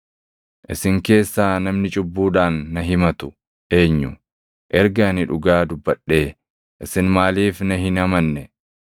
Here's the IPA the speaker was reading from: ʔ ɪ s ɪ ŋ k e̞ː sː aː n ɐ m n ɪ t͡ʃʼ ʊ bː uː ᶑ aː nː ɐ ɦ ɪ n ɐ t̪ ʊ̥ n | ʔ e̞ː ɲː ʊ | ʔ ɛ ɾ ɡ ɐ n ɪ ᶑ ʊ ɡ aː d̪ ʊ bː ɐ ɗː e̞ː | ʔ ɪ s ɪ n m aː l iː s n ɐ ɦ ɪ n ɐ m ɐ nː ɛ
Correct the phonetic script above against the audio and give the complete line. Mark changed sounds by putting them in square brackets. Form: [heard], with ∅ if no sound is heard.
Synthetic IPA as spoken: ʔ ɪ s ɪ ŋ k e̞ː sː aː n ɐ m n ɪ t͡ʃʼ ʊ bː uː ᶑ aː nː ɐ ɦ ɪ [m] ɐ t̪ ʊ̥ [∅] | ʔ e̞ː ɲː ʊ | ʔ ɛ ɾ ɡ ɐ n ɪ ᶑ ʊ ɡ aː d̪ ʊ bː ɐ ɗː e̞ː | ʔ ɪ s ɪ n m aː l iː [f] n ɐ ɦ ɪ n ɐ m ɐ nː ɛ